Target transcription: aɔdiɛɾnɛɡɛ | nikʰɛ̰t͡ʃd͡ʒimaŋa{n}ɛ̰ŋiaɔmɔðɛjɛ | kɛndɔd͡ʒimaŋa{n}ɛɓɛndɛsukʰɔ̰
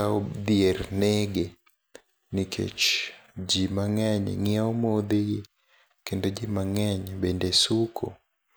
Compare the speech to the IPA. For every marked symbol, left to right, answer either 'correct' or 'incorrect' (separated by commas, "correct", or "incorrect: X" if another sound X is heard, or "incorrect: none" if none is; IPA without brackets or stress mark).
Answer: incorrect: ɲ, incorrect: ɲ